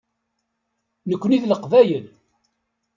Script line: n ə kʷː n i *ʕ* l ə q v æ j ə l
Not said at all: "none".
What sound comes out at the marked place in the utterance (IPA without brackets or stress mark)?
ð